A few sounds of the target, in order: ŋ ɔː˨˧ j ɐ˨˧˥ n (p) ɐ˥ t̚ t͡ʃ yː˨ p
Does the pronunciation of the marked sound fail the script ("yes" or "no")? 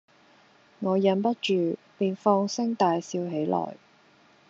no